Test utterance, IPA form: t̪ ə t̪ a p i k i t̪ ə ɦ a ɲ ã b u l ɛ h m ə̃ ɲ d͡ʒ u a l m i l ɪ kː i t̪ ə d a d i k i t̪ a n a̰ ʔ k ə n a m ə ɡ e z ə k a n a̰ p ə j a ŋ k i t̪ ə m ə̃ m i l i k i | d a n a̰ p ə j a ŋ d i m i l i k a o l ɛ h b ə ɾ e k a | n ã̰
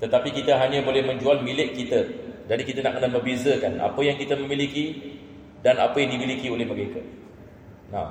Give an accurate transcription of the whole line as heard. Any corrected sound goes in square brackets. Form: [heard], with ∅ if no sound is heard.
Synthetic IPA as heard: t̪ ə t̪ a p i k i t̪ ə ɦ a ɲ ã b [o] l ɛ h m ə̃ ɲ d͡ʒ u a l m i l ɪ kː i t̪ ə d a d i k i t̪ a n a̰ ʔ k ə n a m ə [b] e z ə k a n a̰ p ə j a ŋ k i t̪ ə m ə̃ m i l i k i | d a n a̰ p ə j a ŋ d i m i l i k [i] o l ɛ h [m] ə ɾ e k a | n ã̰